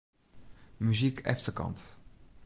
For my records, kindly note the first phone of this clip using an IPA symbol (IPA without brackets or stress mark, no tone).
m